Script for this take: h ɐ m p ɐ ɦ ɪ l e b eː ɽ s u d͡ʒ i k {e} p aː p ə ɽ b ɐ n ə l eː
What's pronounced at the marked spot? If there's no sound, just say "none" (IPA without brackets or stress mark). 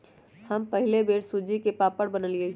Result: e